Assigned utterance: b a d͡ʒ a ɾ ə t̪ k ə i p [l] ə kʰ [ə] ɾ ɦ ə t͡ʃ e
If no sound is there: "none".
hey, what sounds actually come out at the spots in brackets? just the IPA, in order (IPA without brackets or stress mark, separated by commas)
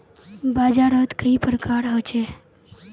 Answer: ɾ, a